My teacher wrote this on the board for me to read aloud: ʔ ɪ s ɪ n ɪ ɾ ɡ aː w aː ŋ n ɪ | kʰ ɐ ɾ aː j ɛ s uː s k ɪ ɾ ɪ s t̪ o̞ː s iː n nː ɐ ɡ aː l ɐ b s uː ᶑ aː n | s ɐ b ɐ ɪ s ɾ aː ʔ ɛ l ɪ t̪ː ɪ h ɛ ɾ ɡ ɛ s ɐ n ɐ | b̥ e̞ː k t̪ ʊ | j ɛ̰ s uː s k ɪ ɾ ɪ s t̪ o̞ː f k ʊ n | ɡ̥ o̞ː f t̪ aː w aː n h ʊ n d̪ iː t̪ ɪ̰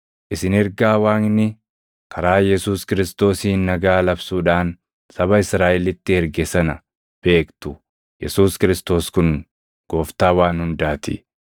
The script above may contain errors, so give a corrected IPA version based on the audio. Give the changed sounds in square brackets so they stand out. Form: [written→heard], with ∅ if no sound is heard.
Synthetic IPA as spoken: ʔ ɪ s ɪ n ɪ ɾ ɡ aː w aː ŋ n ɪ | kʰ ɐ ɾ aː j ɛ s uː s k ɪ ɾ ɪ s t̪ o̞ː s iː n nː ɐ ɡ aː l ɐ b s uː ᶑ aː n | s ɐ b ɐ ɪ s ɾ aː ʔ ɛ l ɪ t̪ː ɪ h ɛ ɾ ɡ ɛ s ɐ n ɐ | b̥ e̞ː k t̪ ʊ | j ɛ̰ s uː s k ɪ ɾ ɪ s t̪ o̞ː [f→s] k ʊ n | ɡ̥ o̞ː f t̪ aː w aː n h ʊ n d̪ [iː→aː] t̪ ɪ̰